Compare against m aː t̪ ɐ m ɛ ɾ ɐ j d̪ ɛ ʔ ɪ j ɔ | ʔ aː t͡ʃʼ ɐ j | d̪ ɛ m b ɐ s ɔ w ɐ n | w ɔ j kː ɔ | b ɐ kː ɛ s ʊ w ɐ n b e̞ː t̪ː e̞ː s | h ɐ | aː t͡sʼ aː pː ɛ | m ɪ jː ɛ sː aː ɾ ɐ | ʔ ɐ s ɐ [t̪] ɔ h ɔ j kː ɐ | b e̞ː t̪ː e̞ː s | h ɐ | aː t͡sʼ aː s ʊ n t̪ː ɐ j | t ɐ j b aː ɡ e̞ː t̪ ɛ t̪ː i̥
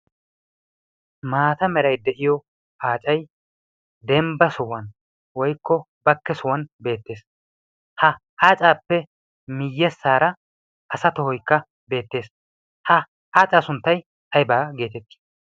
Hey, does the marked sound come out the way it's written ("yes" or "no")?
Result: yes